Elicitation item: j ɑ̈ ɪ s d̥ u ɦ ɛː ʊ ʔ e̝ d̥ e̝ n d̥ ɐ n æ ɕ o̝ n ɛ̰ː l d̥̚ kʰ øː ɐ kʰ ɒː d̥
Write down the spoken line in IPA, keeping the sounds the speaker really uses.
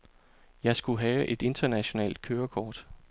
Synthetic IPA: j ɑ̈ ɪ s ɡ̥ u ɦ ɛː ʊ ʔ e̝ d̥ e̝ n d̥ ɐ n æ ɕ o̝ n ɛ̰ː l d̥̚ kʰ øː ɐ kʰ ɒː d̥